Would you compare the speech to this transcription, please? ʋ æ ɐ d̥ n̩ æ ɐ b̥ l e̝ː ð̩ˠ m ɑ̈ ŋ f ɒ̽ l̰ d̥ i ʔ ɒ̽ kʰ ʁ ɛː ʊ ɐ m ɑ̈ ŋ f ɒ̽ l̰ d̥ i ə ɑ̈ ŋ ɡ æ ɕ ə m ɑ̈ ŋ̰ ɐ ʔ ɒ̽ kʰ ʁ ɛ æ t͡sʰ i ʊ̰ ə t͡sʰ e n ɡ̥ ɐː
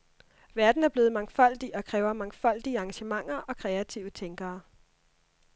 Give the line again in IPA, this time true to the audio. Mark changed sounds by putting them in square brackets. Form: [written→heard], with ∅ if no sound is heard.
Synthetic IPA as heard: ʋ æ ɐ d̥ n̩ æ ɐ b̥ l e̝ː ð̩ˠ m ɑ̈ ŋ f ɒ̽ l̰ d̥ i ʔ ɒ̽ kʰ ʁ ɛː ʊ ɐ m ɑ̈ ŋ f ɒ̽ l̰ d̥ i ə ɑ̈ ŋ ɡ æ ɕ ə m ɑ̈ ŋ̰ ɐ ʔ ɒ̽ kʰ ʁ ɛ æ t͡sʰ i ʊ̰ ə t͡sʰ e [n→ŋ] ɡ̥ ɐː